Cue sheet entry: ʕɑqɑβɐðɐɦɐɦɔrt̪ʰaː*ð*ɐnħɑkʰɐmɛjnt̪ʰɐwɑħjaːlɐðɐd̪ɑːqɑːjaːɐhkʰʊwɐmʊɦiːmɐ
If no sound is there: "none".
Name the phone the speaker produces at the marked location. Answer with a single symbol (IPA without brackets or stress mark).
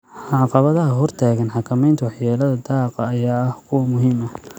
ɣ